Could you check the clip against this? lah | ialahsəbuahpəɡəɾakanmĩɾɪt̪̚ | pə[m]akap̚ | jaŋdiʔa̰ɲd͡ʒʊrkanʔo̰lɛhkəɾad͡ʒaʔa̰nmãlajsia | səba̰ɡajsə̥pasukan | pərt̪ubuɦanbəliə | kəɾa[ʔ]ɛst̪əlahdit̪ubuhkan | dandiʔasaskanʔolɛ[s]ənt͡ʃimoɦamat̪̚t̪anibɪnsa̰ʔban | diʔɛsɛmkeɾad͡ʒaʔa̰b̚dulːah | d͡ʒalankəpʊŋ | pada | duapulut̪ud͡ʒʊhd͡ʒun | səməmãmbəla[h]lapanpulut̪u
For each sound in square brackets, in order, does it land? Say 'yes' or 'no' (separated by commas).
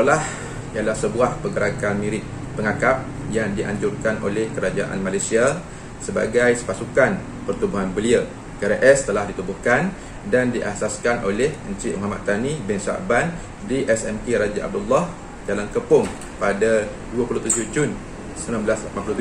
no, yes, no, no